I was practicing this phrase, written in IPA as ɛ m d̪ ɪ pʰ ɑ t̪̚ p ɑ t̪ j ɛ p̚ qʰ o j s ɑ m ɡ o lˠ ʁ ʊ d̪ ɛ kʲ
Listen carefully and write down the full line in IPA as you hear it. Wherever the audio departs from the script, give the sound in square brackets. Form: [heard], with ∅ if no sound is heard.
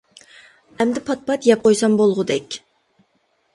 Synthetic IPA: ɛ m d̪ ɪ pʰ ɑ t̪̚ p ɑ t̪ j ɛ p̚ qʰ o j s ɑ m [b] o lˠ ʁ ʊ d̪ ɛ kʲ